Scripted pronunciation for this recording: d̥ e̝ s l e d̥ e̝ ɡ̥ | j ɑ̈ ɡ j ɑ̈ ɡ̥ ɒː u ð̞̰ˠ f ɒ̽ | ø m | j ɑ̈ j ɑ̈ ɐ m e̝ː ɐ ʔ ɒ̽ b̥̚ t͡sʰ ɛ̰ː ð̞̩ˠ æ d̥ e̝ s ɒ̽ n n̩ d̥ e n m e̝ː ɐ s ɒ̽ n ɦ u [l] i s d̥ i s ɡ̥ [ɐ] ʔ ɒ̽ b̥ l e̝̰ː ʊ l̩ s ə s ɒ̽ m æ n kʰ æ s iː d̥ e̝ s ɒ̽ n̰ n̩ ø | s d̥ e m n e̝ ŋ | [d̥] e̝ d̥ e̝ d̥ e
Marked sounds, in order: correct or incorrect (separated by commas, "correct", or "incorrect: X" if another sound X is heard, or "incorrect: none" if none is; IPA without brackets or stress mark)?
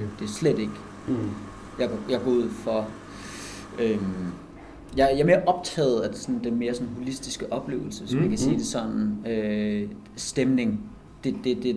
correct, incorrect: ə, correct